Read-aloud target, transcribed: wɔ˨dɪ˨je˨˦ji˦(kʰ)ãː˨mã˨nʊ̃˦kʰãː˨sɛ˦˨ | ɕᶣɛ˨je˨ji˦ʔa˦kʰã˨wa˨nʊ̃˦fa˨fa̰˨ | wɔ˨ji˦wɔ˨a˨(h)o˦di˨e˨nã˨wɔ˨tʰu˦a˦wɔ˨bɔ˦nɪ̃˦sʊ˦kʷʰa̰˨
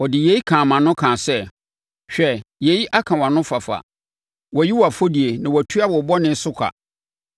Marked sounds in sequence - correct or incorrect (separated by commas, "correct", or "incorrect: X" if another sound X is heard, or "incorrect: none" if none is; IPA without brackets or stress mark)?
correct, incorrect: f